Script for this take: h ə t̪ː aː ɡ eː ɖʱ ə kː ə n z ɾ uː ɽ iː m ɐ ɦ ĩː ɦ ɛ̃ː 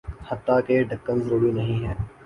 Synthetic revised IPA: h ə t̪ː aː k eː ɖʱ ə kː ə n z ɾ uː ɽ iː n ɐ ɦ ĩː ɦ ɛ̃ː